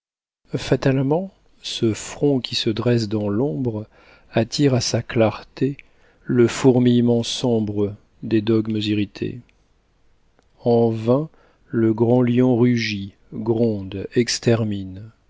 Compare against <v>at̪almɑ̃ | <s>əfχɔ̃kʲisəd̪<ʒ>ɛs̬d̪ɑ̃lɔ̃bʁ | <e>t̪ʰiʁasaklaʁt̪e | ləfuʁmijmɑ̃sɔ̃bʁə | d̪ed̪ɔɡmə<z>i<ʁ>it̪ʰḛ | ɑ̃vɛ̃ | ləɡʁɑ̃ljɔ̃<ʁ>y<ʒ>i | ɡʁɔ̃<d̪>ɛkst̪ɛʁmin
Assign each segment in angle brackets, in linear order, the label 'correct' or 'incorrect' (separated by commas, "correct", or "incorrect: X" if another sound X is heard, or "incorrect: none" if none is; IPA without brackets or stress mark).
incorrect: f, correct, incorrect: ʁ, incorrect: a, correct, correct, correct, correct, correct